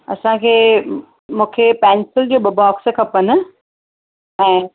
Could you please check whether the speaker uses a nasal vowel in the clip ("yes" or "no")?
yes